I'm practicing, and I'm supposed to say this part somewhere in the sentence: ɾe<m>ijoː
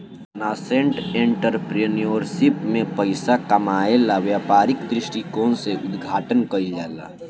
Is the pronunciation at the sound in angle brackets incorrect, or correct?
incorrect